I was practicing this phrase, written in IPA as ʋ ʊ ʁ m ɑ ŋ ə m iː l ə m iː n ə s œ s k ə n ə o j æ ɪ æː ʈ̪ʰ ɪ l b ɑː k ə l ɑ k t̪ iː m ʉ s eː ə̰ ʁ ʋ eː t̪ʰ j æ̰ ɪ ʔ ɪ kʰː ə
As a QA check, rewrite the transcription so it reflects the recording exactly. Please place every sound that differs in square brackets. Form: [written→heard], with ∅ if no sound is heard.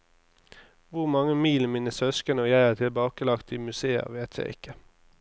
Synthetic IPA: ʋ ʊ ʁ m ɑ ŋ ə m iː l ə m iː n ə s œ s k ə n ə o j æ ɪ æː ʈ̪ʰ ɪ l b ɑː k ə l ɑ k t̪ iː m ʉ s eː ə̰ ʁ ʋ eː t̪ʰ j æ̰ ɪ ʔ ɪ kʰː ə